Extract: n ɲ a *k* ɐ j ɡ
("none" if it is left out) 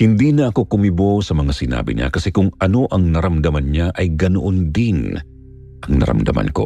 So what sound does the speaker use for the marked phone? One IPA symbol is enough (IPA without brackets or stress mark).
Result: ʔ